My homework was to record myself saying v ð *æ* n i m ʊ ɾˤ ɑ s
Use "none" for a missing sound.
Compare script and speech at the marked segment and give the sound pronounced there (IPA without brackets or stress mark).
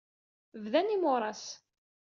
æ